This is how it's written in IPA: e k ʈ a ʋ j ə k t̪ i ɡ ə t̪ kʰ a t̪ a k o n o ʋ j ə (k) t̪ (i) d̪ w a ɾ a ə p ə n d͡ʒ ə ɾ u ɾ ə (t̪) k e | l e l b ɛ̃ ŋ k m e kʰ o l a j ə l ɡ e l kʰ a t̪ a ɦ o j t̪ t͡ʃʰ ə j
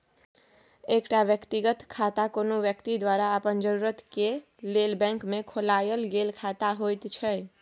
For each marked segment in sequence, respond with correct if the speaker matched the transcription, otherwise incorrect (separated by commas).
correct, correct, correct